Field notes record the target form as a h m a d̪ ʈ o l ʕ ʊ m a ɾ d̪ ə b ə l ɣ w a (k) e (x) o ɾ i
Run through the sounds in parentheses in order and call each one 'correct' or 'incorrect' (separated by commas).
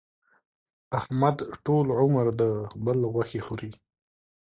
incorrect, correct